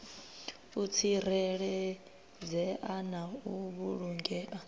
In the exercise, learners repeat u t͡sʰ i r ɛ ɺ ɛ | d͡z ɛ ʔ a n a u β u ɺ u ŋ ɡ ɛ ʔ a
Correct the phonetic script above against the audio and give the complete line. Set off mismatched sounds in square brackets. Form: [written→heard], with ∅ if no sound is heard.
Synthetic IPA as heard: u t͡sʰ i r ɛ ɺ ɛ | d͡z ɛ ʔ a n a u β u ɺ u ŋ ɡ ɛ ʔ a